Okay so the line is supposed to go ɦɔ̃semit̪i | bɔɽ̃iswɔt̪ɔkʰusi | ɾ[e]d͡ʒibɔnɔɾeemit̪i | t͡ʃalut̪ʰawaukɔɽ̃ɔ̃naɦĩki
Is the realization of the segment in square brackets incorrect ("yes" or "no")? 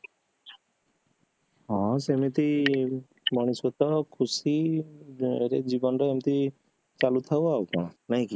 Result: no